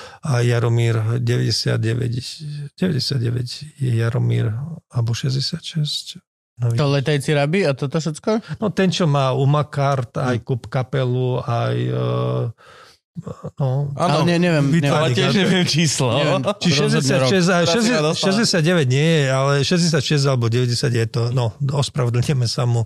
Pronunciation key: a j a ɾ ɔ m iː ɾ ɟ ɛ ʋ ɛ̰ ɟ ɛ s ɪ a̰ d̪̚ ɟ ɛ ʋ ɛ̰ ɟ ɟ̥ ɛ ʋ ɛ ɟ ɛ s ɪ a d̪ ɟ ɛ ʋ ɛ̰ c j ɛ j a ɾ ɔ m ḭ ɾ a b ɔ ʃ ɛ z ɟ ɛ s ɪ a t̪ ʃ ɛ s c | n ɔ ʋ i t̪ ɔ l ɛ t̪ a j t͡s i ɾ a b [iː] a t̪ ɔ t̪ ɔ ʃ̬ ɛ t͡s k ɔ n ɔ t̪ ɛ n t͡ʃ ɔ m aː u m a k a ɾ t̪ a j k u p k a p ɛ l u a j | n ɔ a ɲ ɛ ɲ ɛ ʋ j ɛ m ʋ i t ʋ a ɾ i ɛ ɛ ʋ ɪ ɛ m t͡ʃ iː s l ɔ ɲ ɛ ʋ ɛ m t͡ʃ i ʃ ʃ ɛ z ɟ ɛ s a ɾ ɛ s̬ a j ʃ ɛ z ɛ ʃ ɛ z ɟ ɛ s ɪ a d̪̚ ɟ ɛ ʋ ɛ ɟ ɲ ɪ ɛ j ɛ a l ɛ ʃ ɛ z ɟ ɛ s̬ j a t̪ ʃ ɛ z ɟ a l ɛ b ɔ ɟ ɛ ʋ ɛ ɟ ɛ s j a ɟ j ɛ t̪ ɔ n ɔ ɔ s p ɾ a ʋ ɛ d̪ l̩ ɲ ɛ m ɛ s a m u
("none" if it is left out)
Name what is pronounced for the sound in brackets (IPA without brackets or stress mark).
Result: i